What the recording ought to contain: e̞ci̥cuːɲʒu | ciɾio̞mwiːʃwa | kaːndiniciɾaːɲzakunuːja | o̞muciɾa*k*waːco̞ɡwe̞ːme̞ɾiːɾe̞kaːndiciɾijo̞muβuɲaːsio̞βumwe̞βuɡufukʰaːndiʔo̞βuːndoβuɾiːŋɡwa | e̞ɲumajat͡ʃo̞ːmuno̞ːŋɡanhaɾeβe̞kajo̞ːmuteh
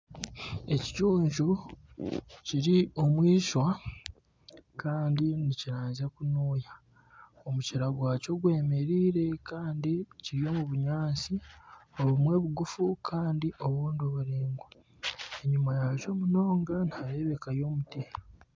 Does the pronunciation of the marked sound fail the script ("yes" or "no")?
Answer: yes